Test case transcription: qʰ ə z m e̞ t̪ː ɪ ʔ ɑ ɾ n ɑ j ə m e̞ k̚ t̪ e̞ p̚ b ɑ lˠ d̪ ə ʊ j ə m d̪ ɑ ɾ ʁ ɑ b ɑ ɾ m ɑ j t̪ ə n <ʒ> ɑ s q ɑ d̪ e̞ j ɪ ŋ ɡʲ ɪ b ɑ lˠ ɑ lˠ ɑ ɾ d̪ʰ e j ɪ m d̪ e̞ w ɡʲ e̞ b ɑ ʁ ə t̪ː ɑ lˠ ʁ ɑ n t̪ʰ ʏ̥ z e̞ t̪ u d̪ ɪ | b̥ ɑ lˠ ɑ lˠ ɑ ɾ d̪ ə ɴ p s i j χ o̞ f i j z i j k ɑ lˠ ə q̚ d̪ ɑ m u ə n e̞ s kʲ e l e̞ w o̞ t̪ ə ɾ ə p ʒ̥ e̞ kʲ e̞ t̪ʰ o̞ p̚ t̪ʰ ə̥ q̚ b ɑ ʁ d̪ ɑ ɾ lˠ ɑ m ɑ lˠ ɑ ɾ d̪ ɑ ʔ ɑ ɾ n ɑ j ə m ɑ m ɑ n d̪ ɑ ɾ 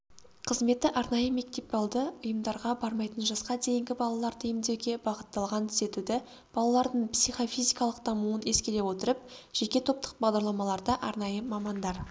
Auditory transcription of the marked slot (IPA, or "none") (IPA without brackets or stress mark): ʒ